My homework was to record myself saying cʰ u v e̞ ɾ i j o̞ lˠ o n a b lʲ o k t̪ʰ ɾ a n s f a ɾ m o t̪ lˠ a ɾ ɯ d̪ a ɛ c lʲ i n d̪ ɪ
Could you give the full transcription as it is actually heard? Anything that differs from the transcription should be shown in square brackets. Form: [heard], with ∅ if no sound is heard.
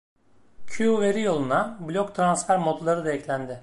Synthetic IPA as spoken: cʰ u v e̞ ɾ i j o̞ lˠ [u] n a b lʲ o k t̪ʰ ɾ a n s f [æ] ɾ m o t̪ lˠ a ɾ ɯ d̪ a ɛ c lʲ [æ] n d̪ ɪ